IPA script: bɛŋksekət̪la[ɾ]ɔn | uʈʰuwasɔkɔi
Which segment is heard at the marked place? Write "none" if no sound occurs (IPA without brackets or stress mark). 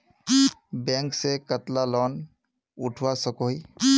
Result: l